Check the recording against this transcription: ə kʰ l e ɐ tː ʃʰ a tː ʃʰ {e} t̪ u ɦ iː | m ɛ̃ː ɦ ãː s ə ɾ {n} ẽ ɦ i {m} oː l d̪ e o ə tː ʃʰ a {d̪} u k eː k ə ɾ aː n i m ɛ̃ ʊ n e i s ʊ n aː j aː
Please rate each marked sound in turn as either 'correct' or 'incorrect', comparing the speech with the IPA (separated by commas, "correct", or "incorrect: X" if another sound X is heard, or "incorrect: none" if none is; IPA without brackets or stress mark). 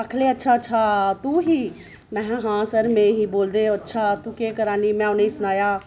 incorrect: a, incorrect: m, incorrect: b, incorrect: t̪